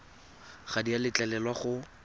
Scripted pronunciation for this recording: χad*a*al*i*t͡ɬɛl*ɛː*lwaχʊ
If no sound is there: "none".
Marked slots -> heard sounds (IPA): i, ɪ, ɛ

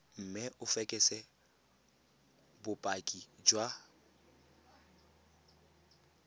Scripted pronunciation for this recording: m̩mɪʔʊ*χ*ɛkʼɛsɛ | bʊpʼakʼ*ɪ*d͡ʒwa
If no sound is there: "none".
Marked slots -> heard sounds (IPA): f, i

